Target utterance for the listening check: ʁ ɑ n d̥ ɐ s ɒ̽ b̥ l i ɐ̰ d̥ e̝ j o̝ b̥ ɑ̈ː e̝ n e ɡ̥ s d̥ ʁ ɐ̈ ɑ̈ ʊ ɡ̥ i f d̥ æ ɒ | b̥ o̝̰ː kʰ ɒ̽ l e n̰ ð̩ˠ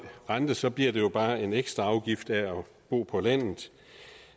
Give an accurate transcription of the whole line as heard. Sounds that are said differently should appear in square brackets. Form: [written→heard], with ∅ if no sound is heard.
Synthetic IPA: ʁ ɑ n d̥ [ɐ→ə] s ɒ̽ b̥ l i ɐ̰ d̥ e̝ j o̝ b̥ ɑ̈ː e̝ n e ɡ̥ s d̥ ʁ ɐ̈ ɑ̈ ʊ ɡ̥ i f d̥ æ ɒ | b̥ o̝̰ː [kʰ→pʰ] ɒ̽ l [e→æ] n̰ ð̩ˠ